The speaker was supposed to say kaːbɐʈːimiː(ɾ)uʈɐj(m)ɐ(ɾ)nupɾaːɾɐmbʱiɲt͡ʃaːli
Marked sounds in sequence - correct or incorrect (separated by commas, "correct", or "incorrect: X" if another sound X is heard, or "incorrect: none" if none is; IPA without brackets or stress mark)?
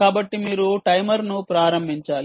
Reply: correct, correct, correct